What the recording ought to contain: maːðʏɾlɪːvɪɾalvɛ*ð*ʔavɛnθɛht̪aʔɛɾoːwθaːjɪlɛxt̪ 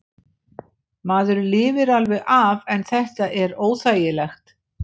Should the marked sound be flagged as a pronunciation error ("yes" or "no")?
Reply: yes